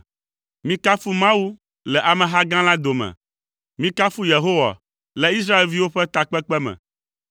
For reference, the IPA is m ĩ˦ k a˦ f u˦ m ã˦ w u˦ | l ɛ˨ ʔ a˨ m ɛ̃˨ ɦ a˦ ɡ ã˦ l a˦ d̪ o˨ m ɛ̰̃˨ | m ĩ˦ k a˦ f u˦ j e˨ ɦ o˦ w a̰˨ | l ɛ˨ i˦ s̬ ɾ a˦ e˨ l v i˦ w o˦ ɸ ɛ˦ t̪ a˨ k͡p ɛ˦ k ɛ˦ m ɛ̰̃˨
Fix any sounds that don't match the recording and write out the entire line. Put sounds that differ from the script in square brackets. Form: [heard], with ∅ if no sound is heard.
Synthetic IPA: m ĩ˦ k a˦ f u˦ m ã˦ w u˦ | l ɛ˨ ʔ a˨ m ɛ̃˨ ɦ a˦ ɡ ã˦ l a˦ d̪ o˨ m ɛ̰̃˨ | m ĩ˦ k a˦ f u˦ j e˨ ɦ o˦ w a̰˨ | l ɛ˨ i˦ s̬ ɾ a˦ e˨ l v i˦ w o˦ ɸ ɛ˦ t̪ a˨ k͡p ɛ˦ [k͡p] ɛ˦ m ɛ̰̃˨